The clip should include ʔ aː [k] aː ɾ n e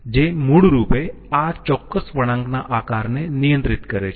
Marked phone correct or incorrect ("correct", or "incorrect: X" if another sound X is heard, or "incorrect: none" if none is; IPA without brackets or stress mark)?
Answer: correct